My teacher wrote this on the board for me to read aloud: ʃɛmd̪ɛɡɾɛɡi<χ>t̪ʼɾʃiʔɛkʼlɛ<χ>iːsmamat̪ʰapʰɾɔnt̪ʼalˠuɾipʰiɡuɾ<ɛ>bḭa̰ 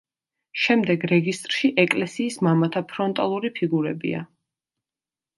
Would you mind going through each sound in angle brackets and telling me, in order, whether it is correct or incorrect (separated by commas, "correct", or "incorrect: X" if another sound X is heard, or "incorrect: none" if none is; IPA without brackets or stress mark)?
incorrect: s, incorrect: s, correct